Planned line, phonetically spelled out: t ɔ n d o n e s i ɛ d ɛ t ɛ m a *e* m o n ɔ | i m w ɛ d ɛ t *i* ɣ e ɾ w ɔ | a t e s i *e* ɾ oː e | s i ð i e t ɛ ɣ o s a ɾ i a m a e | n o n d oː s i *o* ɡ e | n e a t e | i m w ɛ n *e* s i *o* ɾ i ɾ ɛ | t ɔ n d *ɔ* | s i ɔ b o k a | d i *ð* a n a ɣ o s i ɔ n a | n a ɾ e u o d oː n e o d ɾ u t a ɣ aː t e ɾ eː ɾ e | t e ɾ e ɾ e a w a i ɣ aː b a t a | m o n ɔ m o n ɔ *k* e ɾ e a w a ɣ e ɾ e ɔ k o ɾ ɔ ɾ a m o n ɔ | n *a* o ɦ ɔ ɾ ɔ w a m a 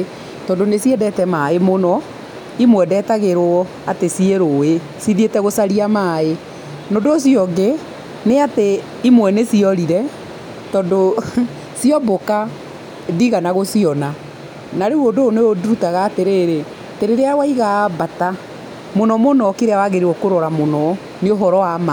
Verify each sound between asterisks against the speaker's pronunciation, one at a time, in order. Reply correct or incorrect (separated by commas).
correct, incorrect, correct, incorrect, correct, incorrect, incorrect, incorrect, correct, incorrect